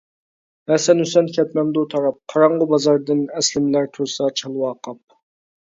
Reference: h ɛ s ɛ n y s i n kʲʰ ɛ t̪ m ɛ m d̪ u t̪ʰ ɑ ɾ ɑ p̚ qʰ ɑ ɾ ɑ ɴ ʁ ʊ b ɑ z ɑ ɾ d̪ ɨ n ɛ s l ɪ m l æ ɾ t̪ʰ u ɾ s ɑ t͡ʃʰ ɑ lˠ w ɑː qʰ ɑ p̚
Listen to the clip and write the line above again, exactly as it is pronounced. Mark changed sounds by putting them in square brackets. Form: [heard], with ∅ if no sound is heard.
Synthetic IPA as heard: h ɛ s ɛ n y s [ɛ] n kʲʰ ɛ t̪ m ɛ m d̪ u t̪ʰ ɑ ɾ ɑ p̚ qʰ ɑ ɾ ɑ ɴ ʁ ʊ b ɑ z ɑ ɾ d̪ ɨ n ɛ s l ɪ m l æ ɾ t̪ʰ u ɾ s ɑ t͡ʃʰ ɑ lˠ w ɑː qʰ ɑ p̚